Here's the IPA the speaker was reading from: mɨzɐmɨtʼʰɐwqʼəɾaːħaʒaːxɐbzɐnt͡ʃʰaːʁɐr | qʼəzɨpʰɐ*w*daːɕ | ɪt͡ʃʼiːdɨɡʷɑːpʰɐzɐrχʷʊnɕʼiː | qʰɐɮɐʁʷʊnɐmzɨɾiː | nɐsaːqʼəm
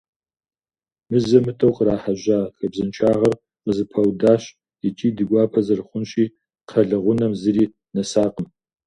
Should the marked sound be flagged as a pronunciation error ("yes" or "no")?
no